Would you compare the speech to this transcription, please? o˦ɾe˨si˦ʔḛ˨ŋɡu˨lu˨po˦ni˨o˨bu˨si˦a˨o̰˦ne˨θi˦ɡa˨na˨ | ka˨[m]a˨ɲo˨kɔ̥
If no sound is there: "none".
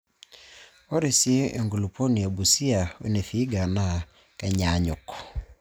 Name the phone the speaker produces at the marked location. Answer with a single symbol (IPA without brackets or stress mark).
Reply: ɲ